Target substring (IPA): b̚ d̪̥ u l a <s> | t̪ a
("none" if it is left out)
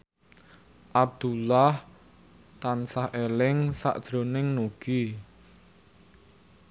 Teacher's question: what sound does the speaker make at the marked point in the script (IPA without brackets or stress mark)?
h